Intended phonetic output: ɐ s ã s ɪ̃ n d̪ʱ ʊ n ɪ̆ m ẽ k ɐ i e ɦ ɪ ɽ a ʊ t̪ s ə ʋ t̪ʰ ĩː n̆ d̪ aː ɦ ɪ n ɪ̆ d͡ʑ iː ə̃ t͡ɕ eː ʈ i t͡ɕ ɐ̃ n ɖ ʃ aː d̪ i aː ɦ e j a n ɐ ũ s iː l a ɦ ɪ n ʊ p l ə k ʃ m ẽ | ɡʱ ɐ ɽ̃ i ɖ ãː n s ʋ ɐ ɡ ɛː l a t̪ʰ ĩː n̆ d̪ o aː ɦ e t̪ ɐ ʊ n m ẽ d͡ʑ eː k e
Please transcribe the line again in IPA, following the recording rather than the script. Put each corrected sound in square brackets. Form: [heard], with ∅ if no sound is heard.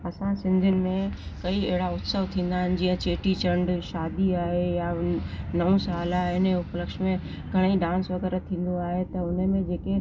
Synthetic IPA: ɐ s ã s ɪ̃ n d̪ʱ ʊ n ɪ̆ m ẽ k ɐ i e ɦ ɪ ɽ a ʊ t̪ s ə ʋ t̪ʰ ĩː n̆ d̪ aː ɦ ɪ n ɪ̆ d͡ʑ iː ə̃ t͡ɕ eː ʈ i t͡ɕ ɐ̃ [ɳ] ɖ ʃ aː d̪ i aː ɦ e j a n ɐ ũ s [aː] l a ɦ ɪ n ʊ p l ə k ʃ m ẽ | ɡʱ ɐ ɽ̃ i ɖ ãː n s ʋ ɐ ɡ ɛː [ɾ] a t̪ʰ ĩː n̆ d̪ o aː ɦ e t̪ ɐ ʊ n m ẽ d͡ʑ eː k e